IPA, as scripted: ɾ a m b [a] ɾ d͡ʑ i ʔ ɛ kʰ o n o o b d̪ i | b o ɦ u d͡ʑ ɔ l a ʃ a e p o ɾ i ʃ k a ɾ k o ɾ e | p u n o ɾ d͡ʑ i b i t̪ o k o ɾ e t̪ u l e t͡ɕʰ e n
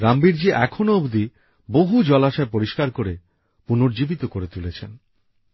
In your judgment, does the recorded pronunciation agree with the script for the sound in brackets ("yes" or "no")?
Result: no